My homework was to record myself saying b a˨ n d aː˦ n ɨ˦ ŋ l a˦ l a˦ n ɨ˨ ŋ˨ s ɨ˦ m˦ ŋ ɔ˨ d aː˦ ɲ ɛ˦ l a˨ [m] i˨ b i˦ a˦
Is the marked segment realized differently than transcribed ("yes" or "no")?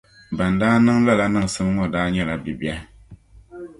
yes